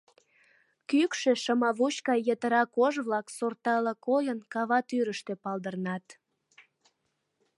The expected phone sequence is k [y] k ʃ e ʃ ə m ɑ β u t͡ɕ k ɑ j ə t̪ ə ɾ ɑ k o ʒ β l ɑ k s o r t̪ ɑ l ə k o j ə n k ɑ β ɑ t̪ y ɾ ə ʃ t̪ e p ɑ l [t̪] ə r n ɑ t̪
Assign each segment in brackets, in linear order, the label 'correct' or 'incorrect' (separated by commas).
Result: correct, incorrect